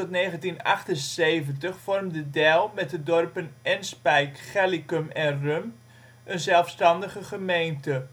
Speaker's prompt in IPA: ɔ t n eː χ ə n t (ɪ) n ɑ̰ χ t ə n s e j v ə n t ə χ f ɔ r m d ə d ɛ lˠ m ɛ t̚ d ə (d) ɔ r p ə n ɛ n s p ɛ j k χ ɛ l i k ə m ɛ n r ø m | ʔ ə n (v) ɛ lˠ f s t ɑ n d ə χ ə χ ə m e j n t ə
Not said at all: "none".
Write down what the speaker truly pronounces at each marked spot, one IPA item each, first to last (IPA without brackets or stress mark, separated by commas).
i, d, z